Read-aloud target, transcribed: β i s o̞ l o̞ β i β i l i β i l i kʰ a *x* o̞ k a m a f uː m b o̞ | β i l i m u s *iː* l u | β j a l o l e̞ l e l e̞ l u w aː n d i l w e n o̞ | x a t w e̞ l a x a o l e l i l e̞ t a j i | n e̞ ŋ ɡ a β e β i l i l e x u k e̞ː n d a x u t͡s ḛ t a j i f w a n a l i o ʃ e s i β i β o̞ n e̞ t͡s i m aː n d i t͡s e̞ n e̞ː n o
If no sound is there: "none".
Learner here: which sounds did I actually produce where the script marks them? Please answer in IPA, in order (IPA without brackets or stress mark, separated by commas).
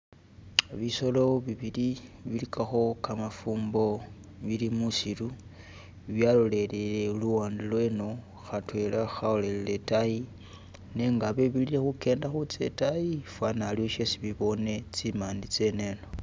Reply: x, i